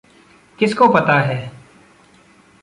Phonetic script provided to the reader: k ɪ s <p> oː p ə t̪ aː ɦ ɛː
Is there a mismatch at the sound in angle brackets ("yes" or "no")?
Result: yes